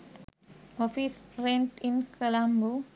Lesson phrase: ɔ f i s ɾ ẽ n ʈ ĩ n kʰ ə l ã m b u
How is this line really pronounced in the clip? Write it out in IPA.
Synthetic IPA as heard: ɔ f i s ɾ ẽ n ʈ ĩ n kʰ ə l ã m b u